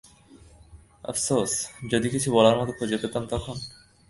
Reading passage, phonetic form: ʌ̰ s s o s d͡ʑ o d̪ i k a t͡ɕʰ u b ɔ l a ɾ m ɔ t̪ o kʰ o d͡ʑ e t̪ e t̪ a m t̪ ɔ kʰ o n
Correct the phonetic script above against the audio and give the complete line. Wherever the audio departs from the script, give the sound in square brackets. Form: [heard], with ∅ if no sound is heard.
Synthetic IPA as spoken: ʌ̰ [f] s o s d͡ʑ o d̪ i k [i] t͡ɕʰ u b ɔ l a ɾ m ɔ t̪ o kʰ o d͡ʑ e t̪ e t̪ a m t̪ ɔ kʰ o n